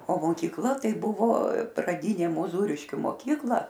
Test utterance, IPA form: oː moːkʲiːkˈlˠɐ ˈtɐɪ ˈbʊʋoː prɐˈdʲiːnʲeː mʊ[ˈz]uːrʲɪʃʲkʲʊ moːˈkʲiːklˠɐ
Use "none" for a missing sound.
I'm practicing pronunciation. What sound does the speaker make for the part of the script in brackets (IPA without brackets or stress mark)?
z